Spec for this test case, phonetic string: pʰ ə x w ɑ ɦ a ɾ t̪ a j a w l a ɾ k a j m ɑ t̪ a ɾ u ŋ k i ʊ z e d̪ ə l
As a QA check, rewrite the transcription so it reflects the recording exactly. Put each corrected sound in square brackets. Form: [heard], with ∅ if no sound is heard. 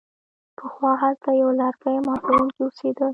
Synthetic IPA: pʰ ə x w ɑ ɦ a [l] t̪ a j a w l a ɾ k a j m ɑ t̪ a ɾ u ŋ k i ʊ [s] e d̪ ə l